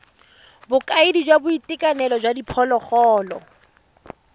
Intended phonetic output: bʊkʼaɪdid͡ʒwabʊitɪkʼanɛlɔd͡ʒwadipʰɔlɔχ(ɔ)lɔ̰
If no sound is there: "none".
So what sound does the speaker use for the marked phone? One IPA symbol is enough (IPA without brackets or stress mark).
ɔː